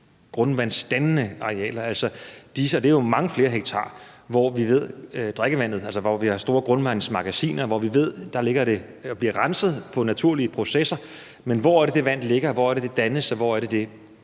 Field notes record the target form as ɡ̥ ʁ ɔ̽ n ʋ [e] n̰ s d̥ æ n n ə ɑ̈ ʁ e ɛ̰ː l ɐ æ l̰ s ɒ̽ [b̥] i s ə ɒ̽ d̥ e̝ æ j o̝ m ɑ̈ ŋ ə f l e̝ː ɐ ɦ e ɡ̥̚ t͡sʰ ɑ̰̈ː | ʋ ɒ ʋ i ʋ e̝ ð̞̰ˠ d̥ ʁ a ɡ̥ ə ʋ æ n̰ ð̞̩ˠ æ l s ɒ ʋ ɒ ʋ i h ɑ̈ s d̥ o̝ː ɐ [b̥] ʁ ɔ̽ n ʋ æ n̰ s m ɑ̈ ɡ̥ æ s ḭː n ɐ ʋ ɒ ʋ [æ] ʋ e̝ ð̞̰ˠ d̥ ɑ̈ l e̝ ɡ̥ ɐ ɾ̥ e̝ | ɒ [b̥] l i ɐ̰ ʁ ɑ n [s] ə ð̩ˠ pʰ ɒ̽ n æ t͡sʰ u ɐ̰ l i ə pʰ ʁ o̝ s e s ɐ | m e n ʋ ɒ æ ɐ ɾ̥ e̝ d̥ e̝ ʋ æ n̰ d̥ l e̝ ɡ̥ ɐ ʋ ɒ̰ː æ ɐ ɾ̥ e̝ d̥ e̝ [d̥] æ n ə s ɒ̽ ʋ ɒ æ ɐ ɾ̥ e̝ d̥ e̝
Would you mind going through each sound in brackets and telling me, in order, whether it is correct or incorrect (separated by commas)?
incorrect, incorrect, incorrect, incorrect, correct, correct, correct